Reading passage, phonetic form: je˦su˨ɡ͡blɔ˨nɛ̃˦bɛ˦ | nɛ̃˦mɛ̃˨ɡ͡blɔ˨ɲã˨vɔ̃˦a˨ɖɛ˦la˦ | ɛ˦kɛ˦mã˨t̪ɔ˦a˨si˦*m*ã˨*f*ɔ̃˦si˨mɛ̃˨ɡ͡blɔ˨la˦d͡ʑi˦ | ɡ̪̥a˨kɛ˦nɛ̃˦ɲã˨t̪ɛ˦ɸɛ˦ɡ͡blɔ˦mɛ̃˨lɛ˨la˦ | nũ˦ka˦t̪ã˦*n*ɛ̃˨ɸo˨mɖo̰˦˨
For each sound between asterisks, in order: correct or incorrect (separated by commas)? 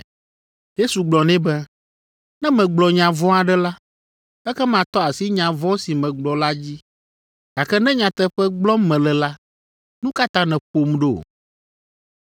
incorrect, incorrect, correct